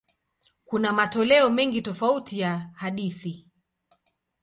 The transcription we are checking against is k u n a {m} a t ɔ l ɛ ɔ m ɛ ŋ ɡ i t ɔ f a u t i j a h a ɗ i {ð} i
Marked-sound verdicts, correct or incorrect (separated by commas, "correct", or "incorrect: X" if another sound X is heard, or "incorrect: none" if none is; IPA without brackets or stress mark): correct, incorrect: θ